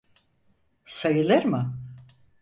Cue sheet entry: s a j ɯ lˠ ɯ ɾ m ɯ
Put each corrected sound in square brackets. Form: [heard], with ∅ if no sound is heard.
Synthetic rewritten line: s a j ɯ lˠ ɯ ɾ m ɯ